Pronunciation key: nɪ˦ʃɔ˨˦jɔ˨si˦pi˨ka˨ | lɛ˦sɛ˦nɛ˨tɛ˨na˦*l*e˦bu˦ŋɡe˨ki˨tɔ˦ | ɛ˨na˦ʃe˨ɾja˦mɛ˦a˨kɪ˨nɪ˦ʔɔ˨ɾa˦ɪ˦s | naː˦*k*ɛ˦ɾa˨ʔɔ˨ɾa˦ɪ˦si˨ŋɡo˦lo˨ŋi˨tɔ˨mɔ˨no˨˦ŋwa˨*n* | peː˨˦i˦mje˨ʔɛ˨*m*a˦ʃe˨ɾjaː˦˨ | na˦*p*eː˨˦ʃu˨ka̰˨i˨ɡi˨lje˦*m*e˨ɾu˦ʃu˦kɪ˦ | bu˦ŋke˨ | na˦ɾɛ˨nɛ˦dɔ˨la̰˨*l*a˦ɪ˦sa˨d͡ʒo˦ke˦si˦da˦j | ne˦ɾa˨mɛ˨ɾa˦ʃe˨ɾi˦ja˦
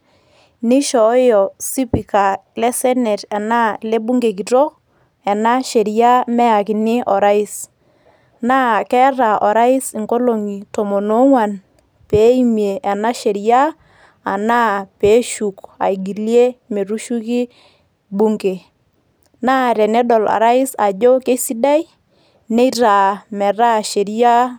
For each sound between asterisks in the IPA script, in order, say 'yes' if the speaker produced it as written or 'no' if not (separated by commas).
yes, yes, yes, no, yes, yes, no